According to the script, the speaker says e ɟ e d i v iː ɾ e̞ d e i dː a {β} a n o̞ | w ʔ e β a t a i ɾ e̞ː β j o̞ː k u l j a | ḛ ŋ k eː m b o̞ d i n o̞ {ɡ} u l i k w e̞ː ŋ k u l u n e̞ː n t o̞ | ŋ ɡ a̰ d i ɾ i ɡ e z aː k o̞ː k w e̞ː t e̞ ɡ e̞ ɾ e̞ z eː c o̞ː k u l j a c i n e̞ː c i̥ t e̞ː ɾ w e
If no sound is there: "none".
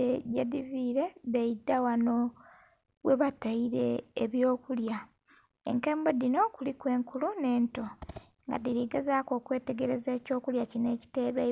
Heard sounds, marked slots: w, k

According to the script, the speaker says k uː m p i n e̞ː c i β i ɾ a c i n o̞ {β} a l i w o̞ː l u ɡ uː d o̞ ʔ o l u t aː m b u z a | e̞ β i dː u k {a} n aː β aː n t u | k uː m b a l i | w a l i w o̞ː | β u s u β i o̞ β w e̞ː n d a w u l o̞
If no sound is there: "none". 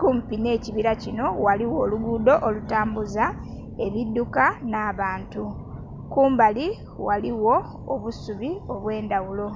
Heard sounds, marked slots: w, a

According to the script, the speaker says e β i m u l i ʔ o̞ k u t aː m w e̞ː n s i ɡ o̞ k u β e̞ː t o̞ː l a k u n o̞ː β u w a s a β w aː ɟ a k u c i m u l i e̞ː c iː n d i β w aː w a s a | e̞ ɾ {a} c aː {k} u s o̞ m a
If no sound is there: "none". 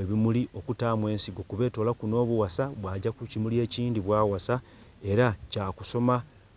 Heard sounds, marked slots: a, k

